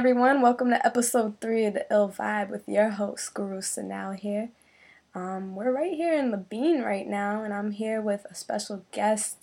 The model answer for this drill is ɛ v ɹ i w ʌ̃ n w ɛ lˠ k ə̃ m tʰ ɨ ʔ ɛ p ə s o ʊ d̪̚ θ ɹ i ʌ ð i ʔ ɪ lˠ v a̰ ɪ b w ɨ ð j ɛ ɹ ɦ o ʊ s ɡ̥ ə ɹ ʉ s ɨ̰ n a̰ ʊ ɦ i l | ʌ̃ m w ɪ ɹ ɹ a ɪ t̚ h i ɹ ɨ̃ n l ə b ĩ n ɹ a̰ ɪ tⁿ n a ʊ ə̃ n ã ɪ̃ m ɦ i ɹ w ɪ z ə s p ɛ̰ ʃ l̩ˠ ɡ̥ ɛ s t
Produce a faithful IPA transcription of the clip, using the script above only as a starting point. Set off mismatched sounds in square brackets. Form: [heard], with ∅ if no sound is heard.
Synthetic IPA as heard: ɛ v ɹ i w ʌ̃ n w ɛ lˠ k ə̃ m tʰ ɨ ʔ ɛ p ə s o ʊ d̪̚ θ ɹ i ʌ ð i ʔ ɪ lˠ v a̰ ɪ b w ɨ ð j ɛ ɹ ɦ o ʊ s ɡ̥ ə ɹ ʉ s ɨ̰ n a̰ ʊ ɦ i [ɹ] | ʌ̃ m w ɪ ɹ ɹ a ɪ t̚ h i ɹ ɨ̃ n l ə b ĩ n ɹ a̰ ɪ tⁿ n a ʊ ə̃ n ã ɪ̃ m ɦ i ɹ w ɪ [ð] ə s p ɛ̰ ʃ l̩ˠ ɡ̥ ɛ s t